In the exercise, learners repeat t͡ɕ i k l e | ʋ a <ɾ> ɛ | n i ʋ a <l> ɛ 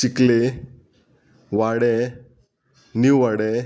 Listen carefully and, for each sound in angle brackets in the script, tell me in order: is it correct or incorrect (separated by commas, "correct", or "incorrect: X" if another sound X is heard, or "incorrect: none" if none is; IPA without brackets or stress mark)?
incorrect: ɽ, incorrect: ɽ